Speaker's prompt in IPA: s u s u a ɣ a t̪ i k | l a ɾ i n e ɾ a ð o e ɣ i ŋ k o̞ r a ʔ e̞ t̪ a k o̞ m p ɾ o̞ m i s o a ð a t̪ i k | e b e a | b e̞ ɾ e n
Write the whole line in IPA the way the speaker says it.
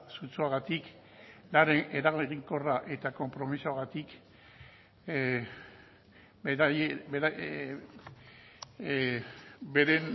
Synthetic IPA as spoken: s u t͡s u a ɣ a t̪ i k | l a ɾ e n e ɾ a ɣ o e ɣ i ŋ k o̞ r a ʔ e̞ t̪ a k o̞ m p ɾ o̞ m i s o a ɣ a t̪ i k | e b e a | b e̞ ɾ e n